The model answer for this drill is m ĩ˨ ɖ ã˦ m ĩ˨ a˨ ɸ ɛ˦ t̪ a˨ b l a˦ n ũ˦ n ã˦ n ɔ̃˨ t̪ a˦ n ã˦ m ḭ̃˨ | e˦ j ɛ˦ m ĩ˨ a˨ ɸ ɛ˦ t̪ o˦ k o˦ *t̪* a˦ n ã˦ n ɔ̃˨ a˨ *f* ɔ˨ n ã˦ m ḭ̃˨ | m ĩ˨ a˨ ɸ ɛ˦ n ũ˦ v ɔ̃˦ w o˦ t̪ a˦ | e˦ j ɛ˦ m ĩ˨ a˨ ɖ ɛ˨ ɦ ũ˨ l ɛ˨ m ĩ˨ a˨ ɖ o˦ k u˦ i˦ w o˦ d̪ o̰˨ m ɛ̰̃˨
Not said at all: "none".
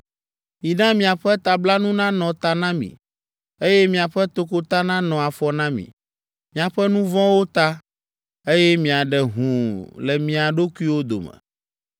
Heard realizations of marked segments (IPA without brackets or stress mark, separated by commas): t̪, f